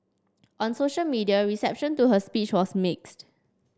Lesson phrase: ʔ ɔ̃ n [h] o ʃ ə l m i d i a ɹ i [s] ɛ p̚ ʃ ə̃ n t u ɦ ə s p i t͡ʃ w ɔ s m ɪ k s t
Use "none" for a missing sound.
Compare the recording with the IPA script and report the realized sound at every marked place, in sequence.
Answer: s, s

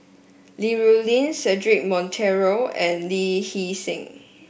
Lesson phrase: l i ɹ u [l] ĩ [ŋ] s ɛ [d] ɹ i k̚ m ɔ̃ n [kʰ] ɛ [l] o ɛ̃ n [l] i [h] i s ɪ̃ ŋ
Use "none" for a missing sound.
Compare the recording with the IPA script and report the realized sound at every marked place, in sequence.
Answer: l, n, d, tʰ, ɹ, l, h

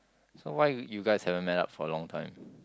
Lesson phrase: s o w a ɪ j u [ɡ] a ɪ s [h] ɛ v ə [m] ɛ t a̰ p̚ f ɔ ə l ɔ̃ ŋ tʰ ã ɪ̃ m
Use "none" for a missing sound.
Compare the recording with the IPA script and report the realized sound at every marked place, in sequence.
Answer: ɡ, h, m

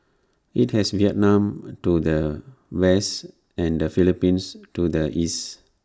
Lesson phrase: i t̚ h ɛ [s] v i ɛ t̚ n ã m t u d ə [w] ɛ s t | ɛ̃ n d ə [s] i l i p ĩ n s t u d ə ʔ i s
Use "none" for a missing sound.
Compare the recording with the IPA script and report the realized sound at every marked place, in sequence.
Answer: s, w, f

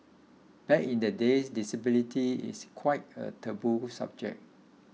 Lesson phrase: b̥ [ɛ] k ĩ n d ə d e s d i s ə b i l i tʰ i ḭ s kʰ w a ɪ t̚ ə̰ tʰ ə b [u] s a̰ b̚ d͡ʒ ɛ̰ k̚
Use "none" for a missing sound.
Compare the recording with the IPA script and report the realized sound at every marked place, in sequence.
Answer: ɛ, u

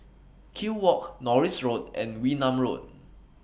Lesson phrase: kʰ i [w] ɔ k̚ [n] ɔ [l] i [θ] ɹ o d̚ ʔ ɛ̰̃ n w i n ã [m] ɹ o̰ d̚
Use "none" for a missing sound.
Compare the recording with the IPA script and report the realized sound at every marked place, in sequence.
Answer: w, n, ɹ, s, m

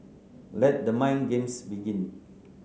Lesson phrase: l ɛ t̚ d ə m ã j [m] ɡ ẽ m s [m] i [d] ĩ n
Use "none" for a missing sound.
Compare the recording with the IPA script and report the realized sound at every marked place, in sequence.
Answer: n, b, ɡ

